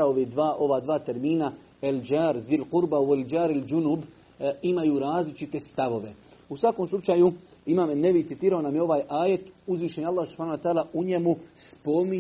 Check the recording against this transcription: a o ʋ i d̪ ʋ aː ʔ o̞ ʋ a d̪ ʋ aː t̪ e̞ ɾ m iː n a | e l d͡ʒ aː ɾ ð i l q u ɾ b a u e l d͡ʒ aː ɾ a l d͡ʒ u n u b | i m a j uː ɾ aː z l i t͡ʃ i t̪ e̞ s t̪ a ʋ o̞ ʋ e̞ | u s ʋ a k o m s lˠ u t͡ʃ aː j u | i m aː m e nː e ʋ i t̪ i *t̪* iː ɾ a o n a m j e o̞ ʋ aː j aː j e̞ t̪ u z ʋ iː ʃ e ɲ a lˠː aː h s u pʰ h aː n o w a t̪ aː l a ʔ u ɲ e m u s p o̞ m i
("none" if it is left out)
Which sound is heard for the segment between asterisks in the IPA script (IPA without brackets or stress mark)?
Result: t̪